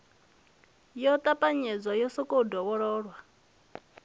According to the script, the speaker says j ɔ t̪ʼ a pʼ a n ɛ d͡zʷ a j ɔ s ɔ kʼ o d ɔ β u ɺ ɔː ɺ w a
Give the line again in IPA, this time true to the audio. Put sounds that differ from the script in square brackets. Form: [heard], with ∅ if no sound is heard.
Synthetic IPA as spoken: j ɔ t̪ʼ a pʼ a [ɲ] ɛ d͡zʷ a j ɔ s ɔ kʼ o d ɔ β [ɔ] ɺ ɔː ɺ w a